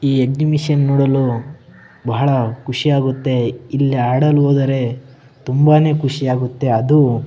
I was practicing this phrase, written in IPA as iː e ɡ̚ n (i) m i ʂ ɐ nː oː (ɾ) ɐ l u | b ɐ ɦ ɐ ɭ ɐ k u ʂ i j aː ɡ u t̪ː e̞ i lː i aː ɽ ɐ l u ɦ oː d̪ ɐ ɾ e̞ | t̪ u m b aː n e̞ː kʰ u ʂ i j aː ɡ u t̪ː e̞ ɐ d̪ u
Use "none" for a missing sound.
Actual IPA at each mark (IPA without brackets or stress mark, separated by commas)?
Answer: i, ɽ